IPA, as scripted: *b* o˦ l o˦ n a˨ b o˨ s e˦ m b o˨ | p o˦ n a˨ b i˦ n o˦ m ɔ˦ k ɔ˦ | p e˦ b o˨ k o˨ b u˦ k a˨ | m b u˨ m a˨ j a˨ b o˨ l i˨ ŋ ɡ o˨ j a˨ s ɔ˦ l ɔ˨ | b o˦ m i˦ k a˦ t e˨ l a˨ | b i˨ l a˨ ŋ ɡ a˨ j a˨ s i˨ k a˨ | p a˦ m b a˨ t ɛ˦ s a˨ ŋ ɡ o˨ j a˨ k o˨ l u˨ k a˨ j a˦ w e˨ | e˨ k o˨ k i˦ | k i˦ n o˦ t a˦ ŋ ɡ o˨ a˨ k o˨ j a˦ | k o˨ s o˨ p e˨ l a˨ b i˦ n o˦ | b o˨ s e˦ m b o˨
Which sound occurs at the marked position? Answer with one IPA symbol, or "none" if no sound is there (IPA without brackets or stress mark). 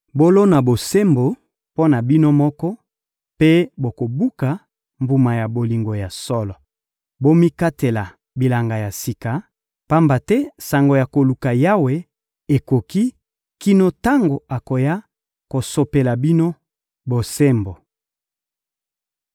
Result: b